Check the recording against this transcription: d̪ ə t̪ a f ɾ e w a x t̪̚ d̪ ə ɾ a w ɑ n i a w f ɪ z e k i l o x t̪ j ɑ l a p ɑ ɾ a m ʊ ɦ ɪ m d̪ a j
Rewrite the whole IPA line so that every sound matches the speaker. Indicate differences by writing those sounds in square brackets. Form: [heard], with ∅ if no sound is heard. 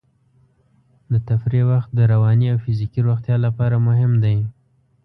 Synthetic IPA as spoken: d̪ ə t̪ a f ɾ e w a x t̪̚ d̪ ə ɾ a w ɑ n i a w f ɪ z [i] k i [ɾ] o x t̪ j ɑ l a p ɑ ɾ a m ʊ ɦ ɪ m d̪ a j

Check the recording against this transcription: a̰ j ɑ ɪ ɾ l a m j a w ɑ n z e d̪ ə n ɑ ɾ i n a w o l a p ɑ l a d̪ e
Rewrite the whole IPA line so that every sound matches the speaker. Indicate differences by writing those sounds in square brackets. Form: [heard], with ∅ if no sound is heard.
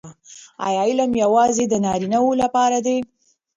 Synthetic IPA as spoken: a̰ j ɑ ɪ [∅] l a m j a w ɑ [∅] z e d̪ ə n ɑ ɾ i n a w o l a p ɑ [ɾ] a d̪ e

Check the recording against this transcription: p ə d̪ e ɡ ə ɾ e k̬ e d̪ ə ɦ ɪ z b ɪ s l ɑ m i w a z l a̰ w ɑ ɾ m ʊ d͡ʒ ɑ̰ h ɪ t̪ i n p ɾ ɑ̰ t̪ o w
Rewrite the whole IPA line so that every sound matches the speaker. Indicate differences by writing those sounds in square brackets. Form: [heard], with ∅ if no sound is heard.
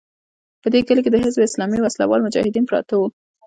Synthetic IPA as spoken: p ə d̪ e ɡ ə [l] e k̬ e d̪ ə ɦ ɪ z b ɪ s l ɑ m i w a [s] l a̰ w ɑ [l] m ʊ d͡ʒ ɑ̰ h ɪ [d̪] i n p ɾ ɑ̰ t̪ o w

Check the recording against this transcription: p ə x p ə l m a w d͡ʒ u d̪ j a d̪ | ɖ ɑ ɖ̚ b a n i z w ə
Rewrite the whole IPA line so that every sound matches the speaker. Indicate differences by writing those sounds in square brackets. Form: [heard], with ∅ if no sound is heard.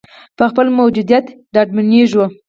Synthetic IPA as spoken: p ə x p ə l m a w d͡ʒ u d̪ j a [t̪] | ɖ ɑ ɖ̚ [m] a n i [ʒ] w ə

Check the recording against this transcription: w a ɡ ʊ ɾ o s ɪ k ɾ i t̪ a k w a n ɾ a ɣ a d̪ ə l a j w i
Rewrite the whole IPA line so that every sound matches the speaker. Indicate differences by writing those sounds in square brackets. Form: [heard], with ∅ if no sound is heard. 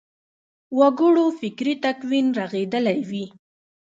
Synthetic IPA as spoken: w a ɡ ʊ [ɽ] o [f] ɪ k ɾ i t̪ a k w [i] n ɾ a ɣ [e] d̪ ə l a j w i

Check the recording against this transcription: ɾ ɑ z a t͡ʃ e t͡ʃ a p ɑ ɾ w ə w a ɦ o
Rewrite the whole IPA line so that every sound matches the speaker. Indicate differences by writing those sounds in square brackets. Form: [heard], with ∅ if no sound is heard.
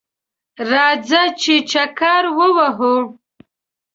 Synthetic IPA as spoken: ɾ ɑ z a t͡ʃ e t͡ʃ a [k] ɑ ɾ w ə w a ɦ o

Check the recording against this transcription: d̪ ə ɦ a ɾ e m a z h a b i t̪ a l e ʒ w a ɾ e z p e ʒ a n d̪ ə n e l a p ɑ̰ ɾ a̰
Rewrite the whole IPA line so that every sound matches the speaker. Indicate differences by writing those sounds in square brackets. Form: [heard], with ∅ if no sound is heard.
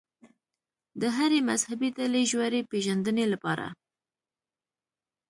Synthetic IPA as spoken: d̪ ə ɦ a ɾ e m a z h a b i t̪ a l e ʒ w a ɾ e [∅] p e ʒ a n d̪ ə n e l a p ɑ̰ ɾ a̰

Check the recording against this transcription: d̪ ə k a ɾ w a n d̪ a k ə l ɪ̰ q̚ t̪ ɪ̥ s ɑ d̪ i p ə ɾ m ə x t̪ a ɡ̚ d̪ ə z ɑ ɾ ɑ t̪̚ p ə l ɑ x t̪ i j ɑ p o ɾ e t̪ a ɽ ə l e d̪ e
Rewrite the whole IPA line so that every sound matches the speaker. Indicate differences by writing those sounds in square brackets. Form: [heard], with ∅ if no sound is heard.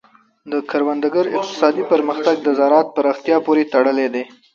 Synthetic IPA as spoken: d̪ ə k a ɾ w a n d̪ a [ɡ] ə [ɾ] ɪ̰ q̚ t̪ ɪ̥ s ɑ d̪ i p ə ɾ m ə x t̪ a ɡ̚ d̪ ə z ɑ ɾ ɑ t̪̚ p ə [ɾ] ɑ x t̪ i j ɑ p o ɾ e t̪ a ɽ ə l e d̪ e

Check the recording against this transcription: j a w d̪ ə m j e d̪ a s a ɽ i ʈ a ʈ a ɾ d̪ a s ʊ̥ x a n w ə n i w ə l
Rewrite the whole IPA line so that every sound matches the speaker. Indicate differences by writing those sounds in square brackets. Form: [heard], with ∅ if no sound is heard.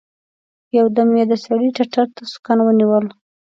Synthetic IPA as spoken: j a w d̪ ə m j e d̪ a s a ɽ i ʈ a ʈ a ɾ [t̪] a s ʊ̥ [k] a n w ə n i w ə l

